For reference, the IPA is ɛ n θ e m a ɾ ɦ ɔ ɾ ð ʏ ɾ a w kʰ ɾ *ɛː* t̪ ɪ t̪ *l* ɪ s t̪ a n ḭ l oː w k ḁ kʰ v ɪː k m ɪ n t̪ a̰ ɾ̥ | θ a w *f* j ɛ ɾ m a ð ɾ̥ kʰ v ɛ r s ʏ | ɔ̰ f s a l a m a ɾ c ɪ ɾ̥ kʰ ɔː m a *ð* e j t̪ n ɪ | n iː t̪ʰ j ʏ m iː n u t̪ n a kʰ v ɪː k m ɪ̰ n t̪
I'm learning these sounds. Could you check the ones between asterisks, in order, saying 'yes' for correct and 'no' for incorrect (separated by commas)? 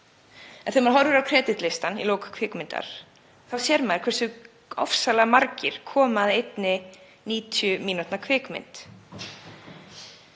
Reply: yes, yes, no, yes